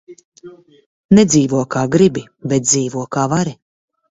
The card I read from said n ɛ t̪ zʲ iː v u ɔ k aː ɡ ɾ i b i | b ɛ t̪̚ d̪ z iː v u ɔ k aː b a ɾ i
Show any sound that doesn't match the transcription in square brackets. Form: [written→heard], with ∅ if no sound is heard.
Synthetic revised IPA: n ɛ [t̪→d̪] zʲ iː v u ɔ k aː ɡ ɾ i b i | b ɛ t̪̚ d̪ z iː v u ɔ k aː [b→v] a ɾ i